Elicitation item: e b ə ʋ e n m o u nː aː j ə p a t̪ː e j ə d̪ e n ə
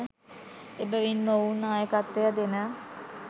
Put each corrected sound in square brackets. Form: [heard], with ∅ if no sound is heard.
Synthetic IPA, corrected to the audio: e b ə ʋ [i] n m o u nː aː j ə [k] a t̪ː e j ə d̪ e n ə